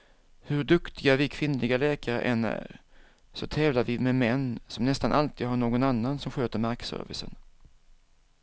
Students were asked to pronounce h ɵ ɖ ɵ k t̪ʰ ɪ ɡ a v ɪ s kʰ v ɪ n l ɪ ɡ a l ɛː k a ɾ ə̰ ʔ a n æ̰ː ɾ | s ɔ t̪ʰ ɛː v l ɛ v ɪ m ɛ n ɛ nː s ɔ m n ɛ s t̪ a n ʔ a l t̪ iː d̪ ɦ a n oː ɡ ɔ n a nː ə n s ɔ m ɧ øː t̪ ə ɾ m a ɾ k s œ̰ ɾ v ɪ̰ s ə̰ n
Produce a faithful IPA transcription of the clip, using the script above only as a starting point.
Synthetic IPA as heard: h ɵ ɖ ɵ k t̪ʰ ɪ ɡ a v ɪ kʰ v ɪ n l ɪ ɡ a l ɛː k a ɾ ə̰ ʔ ɛ n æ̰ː ɾ | s ɔ t̪ʰ ɛː v l a v ɪ m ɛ m ɛ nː s ɔ m n ɛ s t̪ a n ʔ a l t̪ iː d̪ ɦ a ɳ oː ɡ ɔ n a nː a n s ɔ m ɧ øː t̪ ə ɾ m a ɾ k s œ̰ ɾ v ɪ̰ s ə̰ n